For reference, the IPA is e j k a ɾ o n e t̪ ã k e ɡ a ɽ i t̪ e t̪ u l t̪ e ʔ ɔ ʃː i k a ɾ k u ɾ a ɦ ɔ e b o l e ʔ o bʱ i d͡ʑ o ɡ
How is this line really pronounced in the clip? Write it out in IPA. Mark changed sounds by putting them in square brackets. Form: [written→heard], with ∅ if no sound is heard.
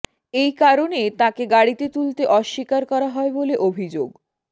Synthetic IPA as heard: e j k a ɾ o n e t̪ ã k e ɡ a ɽ i t̪ e t̪ u l t̪ e ʔ ɔ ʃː i k a ɾ k [u→ɔ] ɾ a ɦ ɔ e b o l e ʔ o bʱ i d͡ʑ o ɡ